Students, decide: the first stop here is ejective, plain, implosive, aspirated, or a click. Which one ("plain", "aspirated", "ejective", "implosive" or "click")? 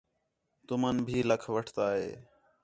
plain